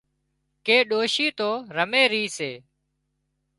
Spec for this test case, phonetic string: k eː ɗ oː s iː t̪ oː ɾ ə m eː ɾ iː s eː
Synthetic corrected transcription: k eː ɗ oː ʃ iː t̪ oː ɾ ə m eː ɾ iː s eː